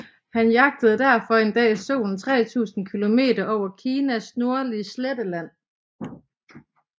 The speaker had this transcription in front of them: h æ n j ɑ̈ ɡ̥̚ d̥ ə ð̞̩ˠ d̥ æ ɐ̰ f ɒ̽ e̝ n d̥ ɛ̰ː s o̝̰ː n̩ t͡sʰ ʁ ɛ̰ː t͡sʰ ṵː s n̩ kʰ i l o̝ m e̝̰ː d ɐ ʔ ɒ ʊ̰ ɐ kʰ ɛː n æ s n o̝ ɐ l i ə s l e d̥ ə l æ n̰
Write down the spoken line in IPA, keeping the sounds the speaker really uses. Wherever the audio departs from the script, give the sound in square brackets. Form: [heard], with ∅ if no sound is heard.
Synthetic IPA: h æ n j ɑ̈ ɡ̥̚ d̥ ə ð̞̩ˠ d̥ æ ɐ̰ f ɒ̽ e̝ n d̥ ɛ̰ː s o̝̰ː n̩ t͡sʰ ʁ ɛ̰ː t͡sʰ ṵː s n̩ kʰ i l o̝ m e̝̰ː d ɐ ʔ ɒ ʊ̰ ɐ kʰ [iː] n æ s n o̝ ɐ l i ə s l e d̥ ə l æ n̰